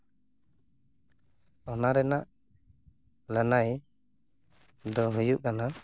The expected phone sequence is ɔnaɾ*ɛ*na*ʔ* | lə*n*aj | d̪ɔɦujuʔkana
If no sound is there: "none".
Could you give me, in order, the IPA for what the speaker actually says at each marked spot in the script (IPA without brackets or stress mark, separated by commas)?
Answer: ɛ, ʔ, n